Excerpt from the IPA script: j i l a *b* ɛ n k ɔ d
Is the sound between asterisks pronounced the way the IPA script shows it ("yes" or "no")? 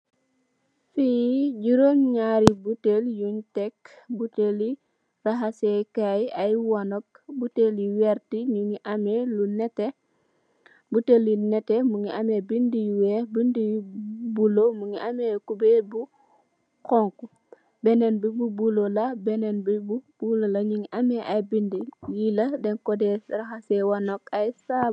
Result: no